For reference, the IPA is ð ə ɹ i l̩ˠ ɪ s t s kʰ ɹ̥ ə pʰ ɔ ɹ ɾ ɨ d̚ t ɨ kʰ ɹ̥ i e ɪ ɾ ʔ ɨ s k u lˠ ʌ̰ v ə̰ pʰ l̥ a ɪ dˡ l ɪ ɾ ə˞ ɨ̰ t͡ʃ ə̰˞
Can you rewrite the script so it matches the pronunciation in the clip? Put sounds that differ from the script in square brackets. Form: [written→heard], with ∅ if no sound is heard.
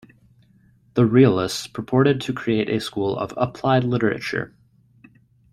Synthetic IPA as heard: ð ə ɹ i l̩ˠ ɪ s t s [kʰ→pʰ] ɹ̥ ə pʰ ɔ ɹ ɾ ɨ d̚ [t→tʰ] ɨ kʰ ɹ̥ i e ɪ ɾ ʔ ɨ s k u lˠ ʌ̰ v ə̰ pʰ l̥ a ɪ dˡ l ɪ ɾ ə˞ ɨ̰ t͡ʃ ə̰˞